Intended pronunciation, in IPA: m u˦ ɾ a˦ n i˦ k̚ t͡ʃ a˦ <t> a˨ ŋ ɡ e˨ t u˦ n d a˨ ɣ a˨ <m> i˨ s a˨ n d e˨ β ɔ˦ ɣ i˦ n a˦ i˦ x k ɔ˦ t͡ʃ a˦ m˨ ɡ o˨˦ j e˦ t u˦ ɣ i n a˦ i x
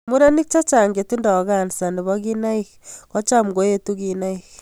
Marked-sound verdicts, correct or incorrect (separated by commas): incorrect, incorrect